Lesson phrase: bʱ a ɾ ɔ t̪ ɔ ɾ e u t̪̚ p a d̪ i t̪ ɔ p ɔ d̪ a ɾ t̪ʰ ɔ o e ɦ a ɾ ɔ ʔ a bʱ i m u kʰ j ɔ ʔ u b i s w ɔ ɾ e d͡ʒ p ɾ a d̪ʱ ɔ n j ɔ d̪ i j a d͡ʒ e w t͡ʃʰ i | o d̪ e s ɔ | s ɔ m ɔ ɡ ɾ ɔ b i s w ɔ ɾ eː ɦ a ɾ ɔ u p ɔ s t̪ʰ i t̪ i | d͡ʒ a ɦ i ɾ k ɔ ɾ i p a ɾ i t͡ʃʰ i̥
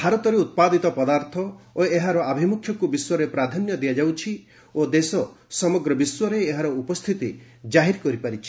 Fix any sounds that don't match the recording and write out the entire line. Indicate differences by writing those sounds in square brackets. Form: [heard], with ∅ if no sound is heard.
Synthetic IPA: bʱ a ɾ ɔ t̪ ɔ ɾ e u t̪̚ p a d̪ i t̪ ɔ p ɔ d̪ a ɾ t̪ʰ ɔ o e ɦ a ɾ ɔ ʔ a bʱ i m u kʰ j ɔ [k] u b i s w ɔ ɾ e [∅] p ɾ a d̪ʱ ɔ n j ɔ d̪ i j a d͡ʒ [a] w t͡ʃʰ i | o d̪ e s ɔ | s ɔ m ɔ ɡ ɾ ɔ b i s w ɔ ɾ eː ɦ a ɾ ɔ u p ɔ s t̪ʰ i t̪ i | d͡ʒ a ɦ i ɾ k ɔ ɾ i p a ɾ i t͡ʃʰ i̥

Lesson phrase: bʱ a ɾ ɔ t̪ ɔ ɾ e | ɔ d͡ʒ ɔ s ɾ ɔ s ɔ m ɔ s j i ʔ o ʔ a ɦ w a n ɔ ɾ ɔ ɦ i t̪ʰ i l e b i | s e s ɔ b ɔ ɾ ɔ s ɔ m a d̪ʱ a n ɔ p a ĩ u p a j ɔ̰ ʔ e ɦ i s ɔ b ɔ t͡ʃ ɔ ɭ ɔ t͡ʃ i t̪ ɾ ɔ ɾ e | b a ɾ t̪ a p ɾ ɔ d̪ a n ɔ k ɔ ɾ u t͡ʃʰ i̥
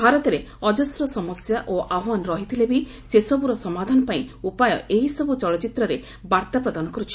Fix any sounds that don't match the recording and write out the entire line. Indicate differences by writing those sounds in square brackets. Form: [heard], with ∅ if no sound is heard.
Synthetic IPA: bʱ a ɾ ɔ t̪ ɔ ɾ e | ɔ d͡ʒ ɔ s ɾ ɔ s ɔ m ɔ s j [a] ʔ o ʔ a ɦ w a n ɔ ɾ ɔ ɦ i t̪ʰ i l e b i | s e s ɔ b [u] ɾ ɔ s ɔ m a d̪ʱ a n ɔ p a ĩ u p a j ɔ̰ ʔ e ɦ i s ɔ b [u] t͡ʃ ɔ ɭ ɔ t͡ʃ i t̪ ɾ ɔ ɾ e | b a ɾ t̪ a p ɾ ɔ d̪ a n ɔ k ɔ ɾ u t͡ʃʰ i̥

